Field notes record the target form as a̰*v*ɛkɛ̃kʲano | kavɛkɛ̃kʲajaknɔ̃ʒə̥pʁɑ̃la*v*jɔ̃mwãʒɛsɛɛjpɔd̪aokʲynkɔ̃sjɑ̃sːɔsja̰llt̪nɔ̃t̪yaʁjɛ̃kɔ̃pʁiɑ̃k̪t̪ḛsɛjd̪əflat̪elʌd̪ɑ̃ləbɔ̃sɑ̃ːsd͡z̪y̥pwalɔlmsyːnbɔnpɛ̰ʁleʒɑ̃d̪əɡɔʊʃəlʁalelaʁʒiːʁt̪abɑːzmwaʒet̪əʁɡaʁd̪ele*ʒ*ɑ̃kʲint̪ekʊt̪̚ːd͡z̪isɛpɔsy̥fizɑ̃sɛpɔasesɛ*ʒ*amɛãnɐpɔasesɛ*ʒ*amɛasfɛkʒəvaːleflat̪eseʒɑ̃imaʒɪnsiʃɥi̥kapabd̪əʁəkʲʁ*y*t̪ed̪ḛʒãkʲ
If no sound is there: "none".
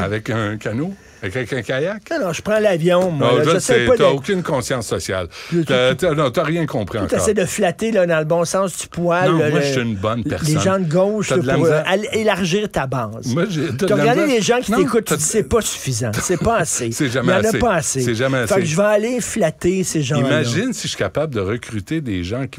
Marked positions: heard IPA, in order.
v, v, ʒ, ʒ, ʒ, y

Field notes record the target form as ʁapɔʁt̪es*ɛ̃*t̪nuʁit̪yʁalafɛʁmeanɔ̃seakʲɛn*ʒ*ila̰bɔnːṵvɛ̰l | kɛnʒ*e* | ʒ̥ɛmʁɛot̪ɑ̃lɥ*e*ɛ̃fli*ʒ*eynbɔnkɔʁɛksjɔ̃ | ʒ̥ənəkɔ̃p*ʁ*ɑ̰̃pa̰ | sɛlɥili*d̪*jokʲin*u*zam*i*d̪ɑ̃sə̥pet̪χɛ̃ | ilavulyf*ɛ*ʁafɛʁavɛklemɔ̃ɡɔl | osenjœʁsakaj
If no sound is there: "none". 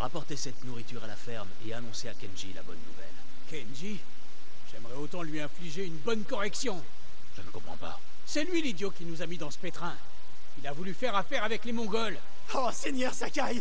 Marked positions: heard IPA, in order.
ɛ, ʒ, i, i, ʒ, χ, d̪, u, i, ɛ

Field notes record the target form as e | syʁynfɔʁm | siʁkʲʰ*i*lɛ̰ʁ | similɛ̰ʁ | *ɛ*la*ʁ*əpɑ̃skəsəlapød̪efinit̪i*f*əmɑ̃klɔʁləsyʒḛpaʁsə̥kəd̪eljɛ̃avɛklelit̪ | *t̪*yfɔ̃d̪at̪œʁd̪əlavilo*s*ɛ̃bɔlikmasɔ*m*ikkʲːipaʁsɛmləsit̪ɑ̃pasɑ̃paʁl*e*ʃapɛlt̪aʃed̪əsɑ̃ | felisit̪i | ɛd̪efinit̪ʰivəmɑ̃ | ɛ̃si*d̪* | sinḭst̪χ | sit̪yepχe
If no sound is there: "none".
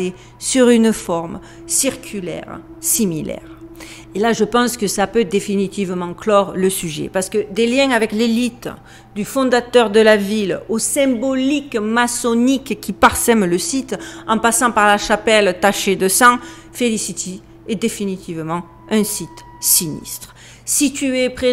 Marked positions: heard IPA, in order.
y, e, ʒ, v, d̪, s, n, a, t̪

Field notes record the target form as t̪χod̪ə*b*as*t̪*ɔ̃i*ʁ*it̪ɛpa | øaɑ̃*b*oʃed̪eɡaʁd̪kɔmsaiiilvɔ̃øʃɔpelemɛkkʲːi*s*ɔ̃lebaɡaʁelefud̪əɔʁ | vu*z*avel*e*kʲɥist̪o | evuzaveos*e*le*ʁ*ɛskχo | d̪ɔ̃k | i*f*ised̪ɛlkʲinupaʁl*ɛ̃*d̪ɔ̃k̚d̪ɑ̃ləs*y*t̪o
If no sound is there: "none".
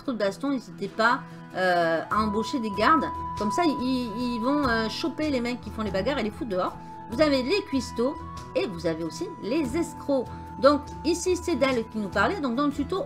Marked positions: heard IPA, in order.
b, t̪, z, b, f, z, e, i, z, s, ɛ, y

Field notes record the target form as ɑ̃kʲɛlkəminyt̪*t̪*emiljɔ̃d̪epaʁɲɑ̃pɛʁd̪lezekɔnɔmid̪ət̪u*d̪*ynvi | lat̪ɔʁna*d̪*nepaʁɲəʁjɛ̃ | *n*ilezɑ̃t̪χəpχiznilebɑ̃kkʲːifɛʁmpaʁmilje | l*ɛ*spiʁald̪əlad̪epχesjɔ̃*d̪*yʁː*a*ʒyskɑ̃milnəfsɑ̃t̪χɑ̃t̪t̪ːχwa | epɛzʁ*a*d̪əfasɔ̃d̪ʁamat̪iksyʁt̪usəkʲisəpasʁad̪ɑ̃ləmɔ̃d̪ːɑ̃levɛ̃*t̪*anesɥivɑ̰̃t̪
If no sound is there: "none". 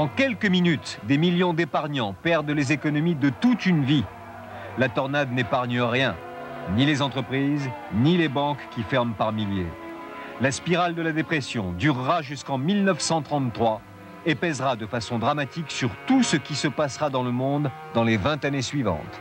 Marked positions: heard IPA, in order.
d̪, t̪, d̪, n, a, d̪, a, a, t̪

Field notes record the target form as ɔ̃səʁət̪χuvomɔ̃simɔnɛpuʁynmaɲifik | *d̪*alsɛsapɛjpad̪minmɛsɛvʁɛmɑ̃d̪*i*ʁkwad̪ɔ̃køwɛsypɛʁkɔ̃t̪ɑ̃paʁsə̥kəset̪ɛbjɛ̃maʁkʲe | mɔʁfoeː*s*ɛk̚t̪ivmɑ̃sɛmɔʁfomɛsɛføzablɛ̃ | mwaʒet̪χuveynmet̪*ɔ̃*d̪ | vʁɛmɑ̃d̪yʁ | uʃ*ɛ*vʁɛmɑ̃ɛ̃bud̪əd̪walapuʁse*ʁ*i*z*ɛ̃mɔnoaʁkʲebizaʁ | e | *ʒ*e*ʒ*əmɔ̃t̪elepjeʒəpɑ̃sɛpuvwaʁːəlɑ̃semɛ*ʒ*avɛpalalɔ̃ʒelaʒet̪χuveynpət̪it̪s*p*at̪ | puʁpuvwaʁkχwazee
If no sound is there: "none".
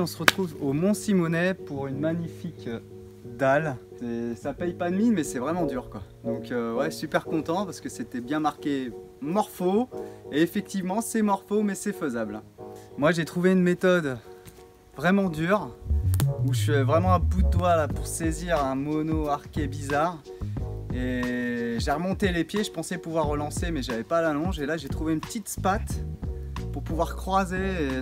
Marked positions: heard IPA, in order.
d̪, y, f, ɔ, ɛ, z, ʁ, ʒ, ʁ, ʒ, p

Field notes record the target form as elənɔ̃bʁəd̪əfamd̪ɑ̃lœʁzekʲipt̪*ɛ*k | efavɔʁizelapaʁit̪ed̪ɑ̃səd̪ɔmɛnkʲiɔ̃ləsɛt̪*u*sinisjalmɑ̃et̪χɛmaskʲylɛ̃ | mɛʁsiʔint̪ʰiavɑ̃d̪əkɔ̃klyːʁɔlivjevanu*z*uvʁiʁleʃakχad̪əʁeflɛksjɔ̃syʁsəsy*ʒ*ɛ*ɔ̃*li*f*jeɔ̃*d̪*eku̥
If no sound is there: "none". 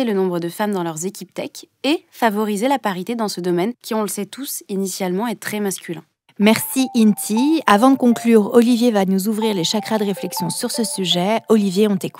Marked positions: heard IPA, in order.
ɛ, u, z, ʒ, ɔ, v, t̪

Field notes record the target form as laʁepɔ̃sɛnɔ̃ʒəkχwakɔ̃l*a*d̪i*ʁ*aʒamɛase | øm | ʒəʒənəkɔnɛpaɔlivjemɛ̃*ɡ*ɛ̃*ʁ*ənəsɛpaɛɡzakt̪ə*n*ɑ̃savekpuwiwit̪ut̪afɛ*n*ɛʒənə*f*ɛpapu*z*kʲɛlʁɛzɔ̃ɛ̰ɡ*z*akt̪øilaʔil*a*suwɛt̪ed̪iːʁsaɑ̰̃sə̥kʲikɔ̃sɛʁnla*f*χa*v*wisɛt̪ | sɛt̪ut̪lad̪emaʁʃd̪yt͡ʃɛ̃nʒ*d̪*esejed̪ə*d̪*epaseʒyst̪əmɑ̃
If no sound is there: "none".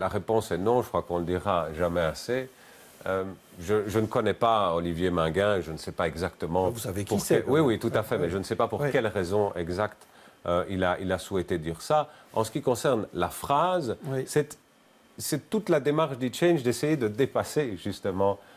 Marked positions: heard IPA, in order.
ə, ʁ, ɡ, ʒ, m, m, s, ʁ, z, a, f, z, d̪, d̪

